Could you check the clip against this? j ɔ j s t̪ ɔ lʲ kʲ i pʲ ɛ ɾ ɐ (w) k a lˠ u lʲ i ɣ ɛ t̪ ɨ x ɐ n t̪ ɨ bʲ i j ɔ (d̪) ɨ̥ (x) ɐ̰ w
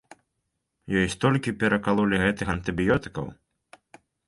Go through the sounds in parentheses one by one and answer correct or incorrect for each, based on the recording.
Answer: incorrect: none, incorrect: t̪, incorrect: k

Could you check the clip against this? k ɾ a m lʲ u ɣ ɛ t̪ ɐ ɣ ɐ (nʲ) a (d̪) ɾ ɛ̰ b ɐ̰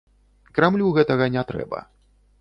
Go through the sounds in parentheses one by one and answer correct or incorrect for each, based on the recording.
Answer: correct, incorrect: t̪

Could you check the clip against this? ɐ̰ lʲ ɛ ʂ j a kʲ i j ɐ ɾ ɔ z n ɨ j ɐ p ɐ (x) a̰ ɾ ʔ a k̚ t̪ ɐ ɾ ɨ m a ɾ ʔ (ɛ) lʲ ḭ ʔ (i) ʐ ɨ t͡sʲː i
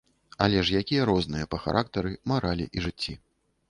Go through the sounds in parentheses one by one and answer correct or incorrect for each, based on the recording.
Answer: correct, incorrect: a, correct

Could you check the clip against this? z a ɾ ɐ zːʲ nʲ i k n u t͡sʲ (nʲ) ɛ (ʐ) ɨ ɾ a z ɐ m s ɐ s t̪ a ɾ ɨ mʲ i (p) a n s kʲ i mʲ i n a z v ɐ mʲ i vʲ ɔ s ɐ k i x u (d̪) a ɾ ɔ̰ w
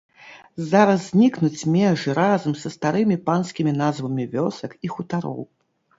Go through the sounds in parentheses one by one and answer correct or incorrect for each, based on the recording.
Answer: incorrect: mʲ, correct, correct, incorrect: t̪

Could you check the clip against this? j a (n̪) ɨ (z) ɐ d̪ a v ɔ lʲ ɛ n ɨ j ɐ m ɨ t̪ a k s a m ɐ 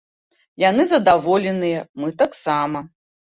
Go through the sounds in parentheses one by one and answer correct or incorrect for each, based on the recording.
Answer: correct, correct

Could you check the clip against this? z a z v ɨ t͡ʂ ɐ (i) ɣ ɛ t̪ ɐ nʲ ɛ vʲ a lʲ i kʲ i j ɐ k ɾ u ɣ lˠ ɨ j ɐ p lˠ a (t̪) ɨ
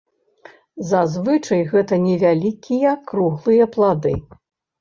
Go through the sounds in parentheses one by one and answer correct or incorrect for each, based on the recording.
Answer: incorrect: j, incorrect: d̪

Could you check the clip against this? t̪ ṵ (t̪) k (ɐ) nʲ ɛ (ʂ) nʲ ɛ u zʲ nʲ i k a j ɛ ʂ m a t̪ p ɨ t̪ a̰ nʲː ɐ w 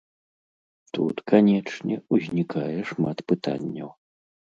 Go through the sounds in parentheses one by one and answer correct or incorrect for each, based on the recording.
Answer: correct, incorrect: a, incorrect: t͡ʂ

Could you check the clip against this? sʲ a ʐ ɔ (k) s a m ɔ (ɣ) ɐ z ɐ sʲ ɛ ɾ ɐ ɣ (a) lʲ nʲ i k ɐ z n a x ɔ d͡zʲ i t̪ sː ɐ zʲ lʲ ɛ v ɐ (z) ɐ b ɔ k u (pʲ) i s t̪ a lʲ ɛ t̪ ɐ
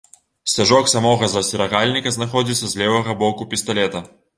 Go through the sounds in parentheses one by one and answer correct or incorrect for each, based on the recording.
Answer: correct, correct, correct, incorrect: ɣ, correct

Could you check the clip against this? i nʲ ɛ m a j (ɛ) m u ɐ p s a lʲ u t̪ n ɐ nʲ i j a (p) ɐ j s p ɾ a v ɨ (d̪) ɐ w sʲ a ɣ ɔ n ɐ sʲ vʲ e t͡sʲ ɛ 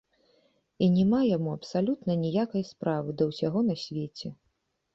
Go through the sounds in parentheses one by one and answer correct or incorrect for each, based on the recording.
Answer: incorrect: a, incorrect: k, correct

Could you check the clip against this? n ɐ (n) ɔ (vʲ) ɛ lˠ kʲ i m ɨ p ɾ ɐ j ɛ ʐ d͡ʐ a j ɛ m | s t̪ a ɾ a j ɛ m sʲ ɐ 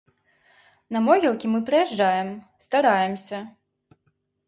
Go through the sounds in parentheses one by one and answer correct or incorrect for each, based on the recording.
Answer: incorrect: m, incorrect: ɣʲ

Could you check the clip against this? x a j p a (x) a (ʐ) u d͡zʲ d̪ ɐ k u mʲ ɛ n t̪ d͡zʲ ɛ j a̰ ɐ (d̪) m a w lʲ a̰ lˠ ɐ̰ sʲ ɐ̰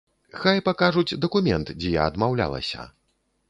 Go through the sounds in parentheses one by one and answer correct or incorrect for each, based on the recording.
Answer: incorrect: k, correct, correct

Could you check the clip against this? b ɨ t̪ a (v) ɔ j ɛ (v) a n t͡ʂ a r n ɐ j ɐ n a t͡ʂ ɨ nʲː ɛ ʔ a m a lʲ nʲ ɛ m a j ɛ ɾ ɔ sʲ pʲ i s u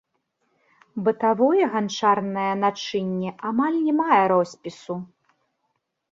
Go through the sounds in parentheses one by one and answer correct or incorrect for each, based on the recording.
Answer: correct, incorrect: ɣ

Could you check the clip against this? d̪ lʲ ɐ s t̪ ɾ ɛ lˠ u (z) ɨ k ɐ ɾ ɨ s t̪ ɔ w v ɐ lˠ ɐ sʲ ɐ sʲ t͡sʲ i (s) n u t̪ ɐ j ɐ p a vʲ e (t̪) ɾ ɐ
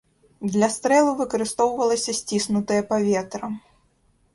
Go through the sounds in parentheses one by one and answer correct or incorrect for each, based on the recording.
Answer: incorrect: v, correct, correct

